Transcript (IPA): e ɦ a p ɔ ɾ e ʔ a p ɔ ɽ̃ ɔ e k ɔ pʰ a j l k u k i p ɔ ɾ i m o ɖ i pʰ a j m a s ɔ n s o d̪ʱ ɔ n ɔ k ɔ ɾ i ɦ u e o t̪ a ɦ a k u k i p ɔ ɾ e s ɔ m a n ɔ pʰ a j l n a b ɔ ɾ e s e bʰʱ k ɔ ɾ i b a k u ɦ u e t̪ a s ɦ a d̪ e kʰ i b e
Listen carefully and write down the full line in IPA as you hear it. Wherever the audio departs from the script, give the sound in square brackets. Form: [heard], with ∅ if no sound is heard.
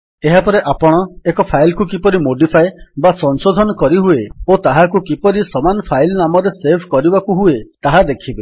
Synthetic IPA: e ɦ a p ɔ ɾ e ʔ a p ɔ ɽ̃ ɔ e k ɔ pʰ a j l k u k i p ɔ ɾ i m o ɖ i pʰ a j [b] a s ɔ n s o d̪ʱ ɔ n ɔ k ɔ ɾ i ɦ u e o t̪ a ɦ a k u k i p ɔ ɾ [i] s ɔ m a n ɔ pʰ a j l n a [m] ɔ ɾ e s e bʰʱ k ɔ ɾ i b a k u ɦ u e t̪ a [∅] ɦ a d̪ e kʰ i b e